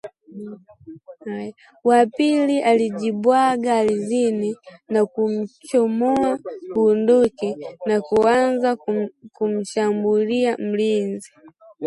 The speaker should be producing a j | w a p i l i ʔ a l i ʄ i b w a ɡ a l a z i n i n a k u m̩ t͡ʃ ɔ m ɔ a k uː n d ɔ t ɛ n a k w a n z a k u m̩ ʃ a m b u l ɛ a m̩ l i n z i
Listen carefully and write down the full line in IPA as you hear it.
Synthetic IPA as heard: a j | w a p i l i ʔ a l i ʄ i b w a ɡ a l i z i n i n a k u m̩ t͡ʃ ɔ m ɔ a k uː n d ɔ k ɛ n a k u a n z a k u m̩ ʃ a m b u l i a m̩ l i n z i